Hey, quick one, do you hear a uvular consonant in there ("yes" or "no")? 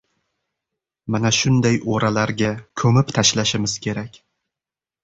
no